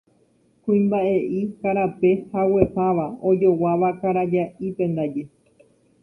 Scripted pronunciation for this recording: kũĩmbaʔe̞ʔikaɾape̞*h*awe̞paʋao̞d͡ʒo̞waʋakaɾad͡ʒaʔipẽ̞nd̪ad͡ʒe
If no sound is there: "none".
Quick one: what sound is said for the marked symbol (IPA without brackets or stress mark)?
h